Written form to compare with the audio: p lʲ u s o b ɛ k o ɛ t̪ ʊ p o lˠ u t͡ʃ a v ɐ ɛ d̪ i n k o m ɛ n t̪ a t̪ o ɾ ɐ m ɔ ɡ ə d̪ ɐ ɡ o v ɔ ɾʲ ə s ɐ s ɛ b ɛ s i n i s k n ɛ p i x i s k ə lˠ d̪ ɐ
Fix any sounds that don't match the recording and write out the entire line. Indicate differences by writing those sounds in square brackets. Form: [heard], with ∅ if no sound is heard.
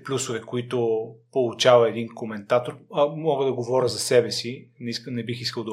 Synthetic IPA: p lʲ u s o [v] ɛ k o [i] t̪ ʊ p o lˠ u t͡ʃ a v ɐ ɛ d̪ i n k o m ɛ n t̪ a t̪ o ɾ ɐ m ɔ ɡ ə d̪ ɐ ɡ o v ɔ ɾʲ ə [z] ɐ s ɛ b ɛ s i n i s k n ɛ [b] i x i s k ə lˠ d̪ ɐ